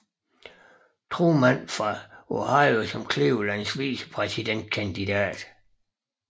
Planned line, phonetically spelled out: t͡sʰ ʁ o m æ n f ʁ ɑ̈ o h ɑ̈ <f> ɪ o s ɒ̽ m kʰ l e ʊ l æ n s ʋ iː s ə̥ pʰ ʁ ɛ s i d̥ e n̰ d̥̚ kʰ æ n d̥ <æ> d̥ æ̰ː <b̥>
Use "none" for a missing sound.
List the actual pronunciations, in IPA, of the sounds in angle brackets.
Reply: none, i, d̥

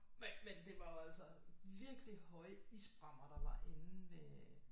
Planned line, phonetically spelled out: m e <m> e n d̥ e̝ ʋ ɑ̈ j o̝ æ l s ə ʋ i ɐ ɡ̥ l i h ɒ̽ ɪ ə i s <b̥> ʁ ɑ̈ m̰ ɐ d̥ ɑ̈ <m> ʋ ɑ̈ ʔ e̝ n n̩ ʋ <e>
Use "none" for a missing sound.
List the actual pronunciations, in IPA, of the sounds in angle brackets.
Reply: m, b̥, none, e

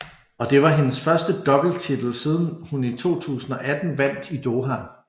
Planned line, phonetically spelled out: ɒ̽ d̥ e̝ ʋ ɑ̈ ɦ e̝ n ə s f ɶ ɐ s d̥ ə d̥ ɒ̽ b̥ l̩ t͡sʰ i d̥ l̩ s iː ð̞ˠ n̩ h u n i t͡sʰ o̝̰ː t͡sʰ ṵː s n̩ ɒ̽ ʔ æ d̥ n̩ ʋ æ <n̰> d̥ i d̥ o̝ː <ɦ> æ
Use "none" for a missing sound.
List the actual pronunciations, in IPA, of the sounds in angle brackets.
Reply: n̰, ɦ

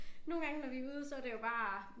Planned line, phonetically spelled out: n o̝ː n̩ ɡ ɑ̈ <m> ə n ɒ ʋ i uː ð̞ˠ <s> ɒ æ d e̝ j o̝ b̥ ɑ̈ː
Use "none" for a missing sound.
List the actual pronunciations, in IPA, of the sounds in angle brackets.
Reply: ŋ, s

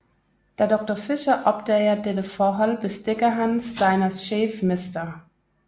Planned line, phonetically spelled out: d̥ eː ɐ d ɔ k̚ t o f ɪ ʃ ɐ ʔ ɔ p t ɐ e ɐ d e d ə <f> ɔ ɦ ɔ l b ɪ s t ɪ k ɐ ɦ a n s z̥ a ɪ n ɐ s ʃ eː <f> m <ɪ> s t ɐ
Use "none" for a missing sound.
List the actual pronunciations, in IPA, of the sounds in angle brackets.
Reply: f, f, ɪ

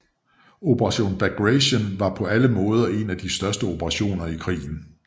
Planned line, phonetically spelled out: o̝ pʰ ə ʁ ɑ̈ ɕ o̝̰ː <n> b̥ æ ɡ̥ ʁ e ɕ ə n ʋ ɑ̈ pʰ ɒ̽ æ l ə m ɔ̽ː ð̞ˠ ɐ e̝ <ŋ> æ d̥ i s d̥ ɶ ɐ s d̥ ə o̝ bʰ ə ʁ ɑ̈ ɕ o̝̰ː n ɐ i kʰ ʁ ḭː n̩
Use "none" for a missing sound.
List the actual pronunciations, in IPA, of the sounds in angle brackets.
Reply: n, n

